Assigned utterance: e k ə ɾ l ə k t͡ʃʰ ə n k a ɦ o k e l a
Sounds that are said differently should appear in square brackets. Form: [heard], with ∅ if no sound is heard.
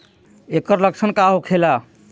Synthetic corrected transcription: e k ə ɾ l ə k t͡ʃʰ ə n k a ɦ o [kʰ] e l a